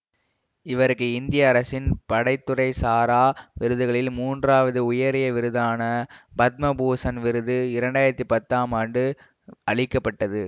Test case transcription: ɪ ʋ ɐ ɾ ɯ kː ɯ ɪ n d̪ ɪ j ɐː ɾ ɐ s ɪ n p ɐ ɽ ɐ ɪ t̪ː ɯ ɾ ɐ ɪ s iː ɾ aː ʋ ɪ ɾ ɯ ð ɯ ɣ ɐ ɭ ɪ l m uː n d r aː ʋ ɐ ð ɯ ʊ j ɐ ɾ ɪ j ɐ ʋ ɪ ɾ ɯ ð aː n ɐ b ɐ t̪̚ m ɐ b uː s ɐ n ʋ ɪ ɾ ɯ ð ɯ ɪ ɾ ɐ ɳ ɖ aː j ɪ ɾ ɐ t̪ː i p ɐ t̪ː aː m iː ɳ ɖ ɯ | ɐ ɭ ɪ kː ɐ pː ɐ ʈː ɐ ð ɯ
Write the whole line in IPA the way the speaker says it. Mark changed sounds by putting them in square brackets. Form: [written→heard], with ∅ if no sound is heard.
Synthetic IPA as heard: ɪ ʋ ɐ ɾ ɯ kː ɯ ɪ n d̪ ɪ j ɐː ɾ ɐ s ɪ n p ɐ ɽ ɐ ɪ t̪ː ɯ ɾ ɐ ɪ s [iː→aː] ɾ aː ʋ ɪ ɾ ɯ ð ɯ ɣ ɐ ɭ ɪ l m uː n d r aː ʋ ɐ ð ɯ ʊ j ɐ ɾ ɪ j ɐ ʋ ɪ ɾ ɯ ð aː n ɐ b ɐ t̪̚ m ɐ b uː s ɐ n ʋ ɪ ɾ ɯ ð ɯ ɪ ɾ ɐ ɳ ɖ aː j ɪ ɾ ɐ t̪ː i p ɐ t̪ː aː m [iː→aː] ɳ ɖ ɯ | ɐ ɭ ɪ kː ɐ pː ɐ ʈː ɐ ð ɯ